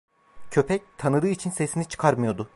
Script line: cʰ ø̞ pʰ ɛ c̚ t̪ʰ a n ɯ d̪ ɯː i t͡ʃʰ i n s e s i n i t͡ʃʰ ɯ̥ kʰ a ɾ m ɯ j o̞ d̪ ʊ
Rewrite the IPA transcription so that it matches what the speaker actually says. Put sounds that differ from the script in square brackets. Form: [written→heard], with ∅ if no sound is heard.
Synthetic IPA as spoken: cʰ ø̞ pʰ ɛ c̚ t̪ʰ a n ɯ d̪ ɯː i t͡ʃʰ i n s e s i n i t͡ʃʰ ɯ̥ kʰ a ɾ m ɯ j o̞ d̪ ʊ